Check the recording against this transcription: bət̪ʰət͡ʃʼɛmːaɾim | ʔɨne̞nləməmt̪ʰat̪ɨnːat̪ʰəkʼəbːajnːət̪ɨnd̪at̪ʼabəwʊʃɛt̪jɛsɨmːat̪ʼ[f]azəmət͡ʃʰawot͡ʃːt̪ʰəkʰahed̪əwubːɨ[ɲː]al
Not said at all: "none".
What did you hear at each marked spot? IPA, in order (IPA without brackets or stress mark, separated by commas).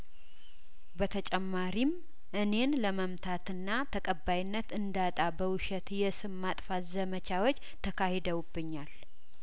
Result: f, ɲː